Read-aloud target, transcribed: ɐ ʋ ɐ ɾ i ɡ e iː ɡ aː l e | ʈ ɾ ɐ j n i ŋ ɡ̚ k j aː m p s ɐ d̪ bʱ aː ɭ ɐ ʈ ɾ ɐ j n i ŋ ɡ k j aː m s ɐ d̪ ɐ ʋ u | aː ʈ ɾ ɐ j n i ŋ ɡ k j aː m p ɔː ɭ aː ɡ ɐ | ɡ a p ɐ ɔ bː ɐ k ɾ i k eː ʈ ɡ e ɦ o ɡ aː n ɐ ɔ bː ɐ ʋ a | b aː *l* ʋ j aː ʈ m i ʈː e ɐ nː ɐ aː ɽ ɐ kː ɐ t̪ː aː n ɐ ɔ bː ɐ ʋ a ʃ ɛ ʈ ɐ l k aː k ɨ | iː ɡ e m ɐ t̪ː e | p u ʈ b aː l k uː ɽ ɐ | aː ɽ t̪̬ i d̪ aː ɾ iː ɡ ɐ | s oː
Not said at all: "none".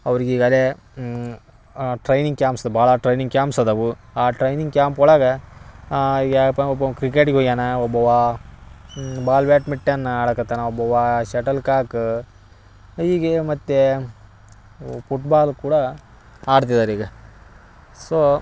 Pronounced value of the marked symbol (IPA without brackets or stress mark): l